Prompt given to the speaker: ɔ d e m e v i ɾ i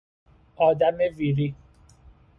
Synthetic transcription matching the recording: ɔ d a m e v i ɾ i